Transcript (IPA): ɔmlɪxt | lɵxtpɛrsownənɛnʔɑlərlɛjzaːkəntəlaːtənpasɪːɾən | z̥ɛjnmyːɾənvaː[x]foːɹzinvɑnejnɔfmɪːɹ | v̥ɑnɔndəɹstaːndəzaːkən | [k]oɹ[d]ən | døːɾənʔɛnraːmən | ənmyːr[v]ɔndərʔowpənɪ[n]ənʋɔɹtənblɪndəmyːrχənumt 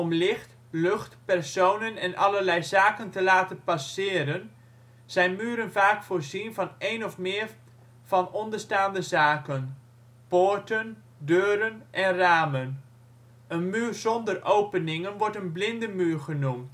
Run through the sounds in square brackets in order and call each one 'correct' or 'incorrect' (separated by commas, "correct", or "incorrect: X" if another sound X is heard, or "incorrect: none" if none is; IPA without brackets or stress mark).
incorrect: k, incorrect: p, incorrect: t, incorrect: z, incorrect: ŋ